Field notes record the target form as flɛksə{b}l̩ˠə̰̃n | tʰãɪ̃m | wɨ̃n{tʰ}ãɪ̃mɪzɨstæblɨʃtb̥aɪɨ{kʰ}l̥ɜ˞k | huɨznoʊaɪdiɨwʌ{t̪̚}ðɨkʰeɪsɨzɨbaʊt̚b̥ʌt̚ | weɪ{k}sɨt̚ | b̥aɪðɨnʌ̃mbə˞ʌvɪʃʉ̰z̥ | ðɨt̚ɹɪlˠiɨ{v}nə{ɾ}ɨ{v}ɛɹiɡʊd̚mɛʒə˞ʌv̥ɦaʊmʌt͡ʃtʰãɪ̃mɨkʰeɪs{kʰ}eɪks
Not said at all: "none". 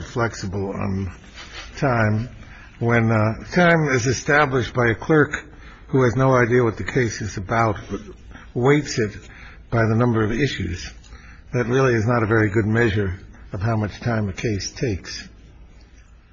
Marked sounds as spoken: b, tʰ, kʰ, t̪̚, t, z, ɾ, v, tʰ

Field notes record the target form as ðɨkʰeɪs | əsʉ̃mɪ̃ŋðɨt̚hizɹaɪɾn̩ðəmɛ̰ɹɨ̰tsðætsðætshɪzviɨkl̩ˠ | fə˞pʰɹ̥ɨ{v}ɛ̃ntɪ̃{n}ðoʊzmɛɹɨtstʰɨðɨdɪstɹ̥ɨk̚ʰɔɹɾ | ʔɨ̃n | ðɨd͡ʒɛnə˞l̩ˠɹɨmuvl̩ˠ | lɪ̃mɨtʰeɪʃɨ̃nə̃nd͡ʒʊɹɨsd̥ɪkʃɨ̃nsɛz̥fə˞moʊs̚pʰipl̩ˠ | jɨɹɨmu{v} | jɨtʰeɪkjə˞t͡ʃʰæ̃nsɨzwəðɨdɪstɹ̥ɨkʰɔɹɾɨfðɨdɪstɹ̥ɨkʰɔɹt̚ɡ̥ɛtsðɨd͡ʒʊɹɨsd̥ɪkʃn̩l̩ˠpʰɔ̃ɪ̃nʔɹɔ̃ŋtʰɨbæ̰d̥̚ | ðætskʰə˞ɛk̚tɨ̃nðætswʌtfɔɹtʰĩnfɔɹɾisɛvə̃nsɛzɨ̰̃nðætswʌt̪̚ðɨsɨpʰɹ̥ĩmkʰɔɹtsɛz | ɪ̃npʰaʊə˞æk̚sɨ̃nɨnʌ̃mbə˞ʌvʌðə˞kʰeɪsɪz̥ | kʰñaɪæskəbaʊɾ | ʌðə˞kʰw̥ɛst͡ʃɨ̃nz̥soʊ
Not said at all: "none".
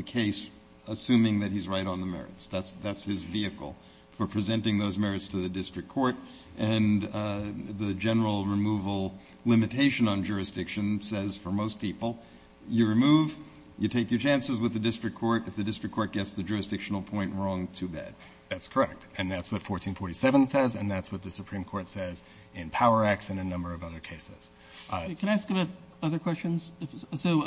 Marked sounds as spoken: z, ŋ, v

